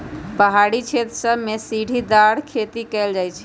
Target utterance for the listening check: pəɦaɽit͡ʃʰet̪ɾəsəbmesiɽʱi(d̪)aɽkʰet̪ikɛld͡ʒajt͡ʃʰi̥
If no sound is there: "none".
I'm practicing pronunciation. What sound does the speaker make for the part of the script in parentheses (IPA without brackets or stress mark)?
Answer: d̪